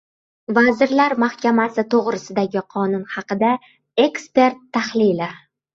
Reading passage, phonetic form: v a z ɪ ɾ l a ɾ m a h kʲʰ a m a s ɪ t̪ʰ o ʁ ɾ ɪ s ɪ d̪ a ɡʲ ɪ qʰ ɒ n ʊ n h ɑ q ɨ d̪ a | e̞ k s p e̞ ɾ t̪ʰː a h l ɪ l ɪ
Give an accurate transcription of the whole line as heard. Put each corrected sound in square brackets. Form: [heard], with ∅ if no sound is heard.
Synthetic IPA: v a z ɪ ɾ l a ɾ m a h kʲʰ a m a s ɪ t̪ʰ o ʁ ɾ ɪ s ɪ d̪ a ɡʲ ɪ qʰ ɒ n ʊ n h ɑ q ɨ d̪ a | e̞ k s p e̞ ɾ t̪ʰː a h l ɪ l ɪ